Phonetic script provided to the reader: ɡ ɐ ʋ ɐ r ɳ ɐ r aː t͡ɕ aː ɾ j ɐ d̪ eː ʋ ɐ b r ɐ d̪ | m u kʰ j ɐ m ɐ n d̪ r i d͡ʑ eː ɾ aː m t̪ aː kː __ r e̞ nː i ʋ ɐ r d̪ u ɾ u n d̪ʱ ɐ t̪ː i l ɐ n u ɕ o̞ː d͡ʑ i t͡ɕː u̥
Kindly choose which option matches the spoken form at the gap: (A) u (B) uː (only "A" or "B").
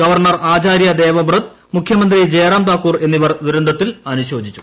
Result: B